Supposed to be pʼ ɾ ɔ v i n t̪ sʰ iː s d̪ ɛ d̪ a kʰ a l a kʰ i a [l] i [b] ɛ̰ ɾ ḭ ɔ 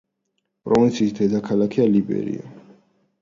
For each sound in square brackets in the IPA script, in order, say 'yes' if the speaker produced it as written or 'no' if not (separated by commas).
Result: yes, yes